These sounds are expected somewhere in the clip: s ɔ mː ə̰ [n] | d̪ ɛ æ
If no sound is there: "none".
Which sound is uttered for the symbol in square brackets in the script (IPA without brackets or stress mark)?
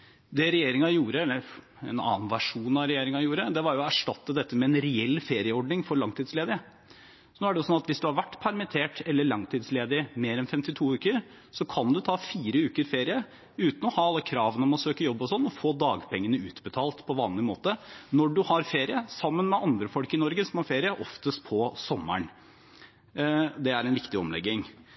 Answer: ɳ